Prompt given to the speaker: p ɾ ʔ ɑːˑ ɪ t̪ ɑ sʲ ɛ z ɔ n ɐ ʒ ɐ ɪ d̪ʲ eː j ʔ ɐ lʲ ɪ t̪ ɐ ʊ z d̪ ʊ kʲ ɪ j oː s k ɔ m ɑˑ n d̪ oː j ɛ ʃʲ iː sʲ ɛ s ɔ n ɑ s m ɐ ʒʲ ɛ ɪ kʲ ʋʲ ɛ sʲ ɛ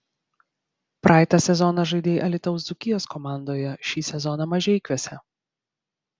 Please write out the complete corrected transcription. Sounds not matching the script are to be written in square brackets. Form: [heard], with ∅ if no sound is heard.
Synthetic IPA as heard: p ɾ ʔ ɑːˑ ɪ t̪ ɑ sʲ ɛ z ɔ n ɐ ʒ ɐ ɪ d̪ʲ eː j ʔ ɐ lʲ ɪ t̪ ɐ ʊ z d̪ ʊ kʲ ɪ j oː s k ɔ m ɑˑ n d̪ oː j ɛ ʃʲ iː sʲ ɛ [z] ɔ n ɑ [∅] m ɐ ʒʲ ɛ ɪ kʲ ʋʲ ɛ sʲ ɛ